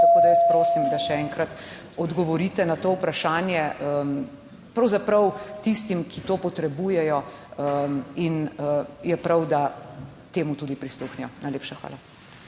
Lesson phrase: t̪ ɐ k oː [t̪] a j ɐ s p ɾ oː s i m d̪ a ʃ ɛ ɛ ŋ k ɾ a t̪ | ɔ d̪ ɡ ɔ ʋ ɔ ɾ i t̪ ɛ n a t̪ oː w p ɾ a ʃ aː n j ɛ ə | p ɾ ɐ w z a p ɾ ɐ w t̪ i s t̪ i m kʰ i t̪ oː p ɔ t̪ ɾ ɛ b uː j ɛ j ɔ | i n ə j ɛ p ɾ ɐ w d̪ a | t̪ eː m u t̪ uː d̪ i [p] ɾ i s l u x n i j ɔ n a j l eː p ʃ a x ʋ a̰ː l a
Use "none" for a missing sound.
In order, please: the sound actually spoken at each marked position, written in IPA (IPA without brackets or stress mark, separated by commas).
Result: d̪, p